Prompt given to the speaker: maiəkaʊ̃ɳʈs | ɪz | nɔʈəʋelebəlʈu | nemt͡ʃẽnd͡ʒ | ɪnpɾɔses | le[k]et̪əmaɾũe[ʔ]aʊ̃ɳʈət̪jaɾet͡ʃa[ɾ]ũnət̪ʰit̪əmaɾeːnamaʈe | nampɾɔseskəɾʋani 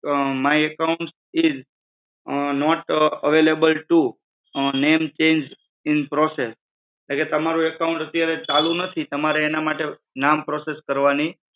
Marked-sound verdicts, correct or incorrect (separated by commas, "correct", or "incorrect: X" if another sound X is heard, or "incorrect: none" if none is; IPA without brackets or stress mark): correct, incorrect: k, incorrect: l